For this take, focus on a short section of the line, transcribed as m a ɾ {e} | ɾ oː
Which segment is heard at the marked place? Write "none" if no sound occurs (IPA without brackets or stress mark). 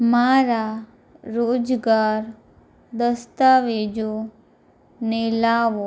a